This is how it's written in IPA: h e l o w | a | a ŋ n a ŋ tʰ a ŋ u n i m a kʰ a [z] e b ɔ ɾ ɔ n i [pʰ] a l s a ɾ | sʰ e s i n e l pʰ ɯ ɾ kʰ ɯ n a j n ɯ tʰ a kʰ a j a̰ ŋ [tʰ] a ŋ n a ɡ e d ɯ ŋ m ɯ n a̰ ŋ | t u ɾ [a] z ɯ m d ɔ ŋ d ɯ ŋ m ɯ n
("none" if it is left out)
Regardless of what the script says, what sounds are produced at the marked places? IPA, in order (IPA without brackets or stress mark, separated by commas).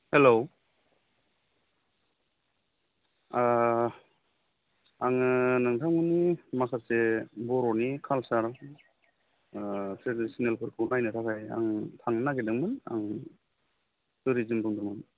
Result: s, kʰ, tʰ, i